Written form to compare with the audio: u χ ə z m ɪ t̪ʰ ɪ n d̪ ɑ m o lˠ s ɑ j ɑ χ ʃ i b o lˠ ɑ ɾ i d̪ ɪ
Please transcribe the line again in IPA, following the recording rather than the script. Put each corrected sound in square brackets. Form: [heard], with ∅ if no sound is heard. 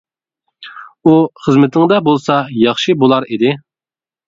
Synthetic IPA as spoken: u χ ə z m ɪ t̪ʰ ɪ [ŋ] d̪ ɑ [b] o lˠ s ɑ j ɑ χ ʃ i b o lˠ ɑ ɾ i d̪ ɪ